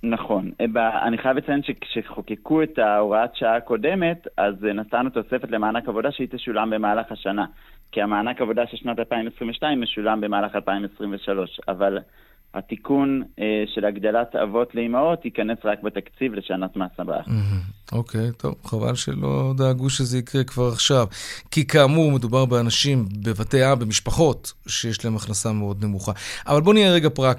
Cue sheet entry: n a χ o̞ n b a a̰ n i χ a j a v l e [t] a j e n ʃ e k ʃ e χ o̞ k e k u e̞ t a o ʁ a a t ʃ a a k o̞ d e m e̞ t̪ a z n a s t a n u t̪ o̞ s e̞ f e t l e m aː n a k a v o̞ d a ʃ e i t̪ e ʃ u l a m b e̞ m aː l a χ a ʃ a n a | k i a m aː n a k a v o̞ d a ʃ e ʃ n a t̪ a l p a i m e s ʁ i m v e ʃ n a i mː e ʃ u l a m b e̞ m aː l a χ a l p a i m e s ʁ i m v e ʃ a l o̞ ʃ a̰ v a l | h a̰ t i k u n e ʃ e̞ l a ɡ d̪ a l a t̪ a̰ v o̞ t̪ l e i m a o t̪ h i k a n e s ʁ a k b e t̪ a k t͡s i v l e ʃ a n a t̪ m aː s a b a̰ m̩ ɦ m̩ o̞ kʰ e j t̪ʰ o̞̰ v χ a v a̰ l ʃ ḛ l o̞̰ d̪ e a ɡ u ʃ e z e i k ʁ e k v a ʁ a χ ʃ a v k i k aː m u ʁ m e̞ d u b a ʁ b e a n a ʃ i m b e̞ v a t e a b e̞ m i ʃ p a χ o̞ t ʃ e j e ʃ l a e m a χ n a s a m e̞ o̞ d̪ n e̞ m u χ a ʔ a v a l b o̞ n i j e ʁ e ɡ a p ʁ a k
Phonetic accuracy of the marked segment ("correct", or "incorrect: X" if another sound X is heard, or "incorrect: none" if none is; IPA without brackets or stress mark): incorrect: t͡s